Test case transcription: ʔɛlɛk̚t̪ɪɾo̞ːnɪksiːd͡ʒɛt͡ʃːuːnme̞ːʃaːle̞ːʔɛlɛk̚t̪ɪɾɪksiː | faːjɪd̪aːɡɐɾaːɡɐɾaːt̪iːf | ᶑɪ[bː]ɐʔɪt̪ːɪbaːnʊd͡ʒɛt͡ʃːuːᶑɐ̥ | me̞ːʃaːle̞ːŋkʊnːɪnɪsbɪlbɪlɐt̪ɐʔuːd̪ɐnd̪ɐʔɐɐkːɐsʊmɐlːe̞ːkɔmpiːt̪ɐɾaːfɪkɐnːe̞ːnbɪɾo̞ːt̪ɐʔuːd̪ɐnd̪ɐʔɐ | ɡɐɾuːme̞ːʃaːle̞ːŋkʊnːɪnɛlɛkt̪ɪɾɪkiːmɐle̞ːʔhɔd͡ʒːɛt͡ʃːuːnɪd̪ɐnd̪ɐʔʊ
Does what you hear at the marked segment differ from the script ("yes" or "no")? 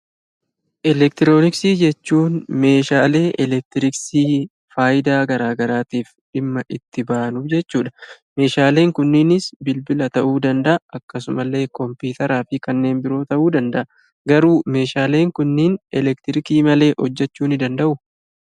yes